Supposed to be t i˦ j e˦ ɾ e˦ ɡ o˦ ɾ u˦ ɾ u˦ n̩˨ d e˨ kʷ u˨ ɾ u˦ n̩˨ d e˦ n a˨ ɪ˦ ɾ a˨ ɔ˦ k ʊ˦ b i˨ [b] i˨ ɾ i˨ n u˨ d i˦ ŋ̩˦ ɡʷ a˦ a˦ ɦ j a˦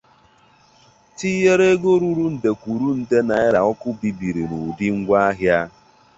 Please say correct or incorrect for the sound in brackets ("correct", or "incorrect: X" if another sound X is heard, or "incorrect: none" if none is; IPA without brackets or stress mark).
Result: correct